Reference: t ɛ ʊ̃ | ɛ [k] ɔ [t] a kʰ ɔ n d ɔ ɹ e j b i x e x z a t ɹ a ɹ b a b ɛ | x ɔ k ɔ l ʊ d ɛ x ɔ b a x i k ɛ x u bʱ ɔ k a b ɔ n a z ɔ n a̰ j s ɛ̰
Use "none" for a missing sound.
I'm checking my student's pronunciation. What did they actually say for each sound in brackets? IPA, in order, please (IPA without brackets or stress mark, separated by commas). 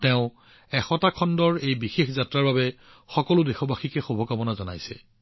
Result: x, t